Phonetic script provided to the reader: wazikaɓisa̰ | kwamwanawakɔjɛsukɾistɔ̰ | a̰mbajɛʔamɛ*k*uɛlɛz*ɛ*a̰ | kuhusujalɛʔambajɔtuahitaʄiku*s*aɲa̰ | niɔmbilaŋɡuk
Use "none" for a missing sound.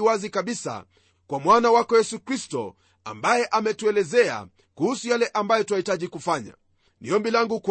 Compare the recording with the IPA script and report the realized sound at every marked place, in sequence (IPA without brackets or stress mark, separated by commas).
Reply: t, ɛ, f